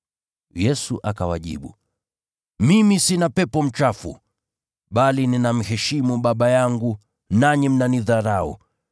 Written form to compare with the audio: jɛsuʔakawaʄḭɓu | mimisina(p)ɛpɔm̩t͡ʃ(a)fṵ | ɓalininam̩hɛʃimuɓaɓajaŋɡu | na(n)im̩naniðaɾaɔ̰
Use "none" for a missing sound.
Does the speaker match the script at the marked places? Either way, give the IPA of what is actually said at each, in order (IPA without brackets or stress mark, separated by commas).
p, a, ɲ